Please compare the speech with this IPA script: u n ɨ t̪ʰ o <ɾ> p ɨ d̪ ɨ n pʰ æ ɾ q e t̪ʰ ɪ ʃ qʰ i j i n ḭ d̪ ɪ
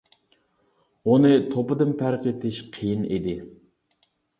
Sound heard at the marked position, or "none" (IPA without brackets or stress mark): none